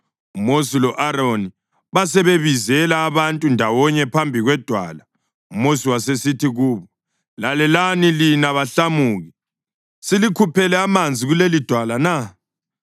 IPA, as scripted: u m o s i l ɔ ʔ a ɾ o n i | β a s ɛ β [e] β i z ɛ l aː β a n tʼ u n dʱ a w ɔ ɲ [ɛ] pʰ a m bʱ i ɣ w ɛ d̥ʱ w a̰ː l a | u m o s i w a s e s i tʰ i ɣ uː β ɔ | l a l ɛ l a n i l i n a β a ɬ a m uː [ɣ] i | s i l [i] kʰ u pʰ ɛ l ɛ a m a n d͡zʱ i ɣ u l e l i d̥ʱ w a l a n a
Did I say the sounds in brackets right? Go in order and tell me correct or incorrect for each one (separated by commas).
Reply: correct, correct, correct, correct